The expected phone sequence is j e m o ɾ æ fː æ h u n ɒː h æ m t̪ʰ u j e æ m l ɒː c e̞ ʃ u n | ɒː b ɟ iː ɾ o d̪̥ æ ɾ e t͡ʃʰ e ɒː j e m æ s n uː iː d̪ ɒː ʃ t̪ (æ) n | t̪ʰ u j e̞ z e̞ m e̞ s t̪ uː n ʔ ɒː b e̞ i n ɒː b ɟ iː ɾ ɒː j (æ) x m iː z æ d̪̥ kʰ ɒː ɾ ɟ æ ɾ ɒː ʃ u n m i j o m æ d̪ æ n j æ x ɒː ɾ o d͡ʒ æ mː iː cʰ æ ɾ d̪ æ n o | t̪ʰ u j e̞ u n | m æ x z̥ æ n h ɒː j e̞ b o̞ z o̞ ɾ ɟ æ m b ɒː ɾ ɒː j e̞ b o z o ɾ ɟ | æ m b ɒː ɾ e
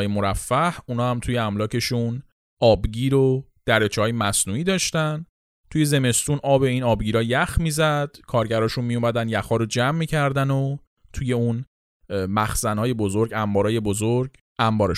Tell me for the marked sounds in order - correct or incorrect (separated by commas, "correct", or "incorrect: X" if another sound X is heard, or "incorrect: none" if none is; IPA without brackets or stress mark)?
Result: correct, correct